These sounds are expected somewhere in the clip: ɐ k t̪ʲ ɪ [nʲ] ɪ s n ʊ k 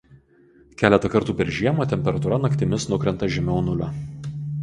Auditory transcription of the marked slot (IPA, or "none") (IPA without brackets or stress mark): mʲ